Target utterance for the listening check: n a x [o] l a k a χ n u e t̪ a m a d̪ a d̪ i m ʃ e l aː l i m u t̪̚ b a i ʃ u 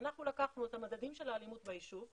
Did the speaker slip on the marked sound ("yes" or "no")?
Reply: yes